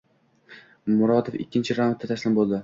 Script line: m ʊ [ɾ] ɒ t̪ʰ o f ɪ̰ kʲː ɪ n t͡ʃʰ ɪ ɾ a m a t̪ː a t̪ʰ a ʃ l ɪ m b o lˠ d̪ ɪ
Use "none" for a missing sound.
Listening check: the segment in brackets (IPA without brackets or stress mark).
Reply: ɾ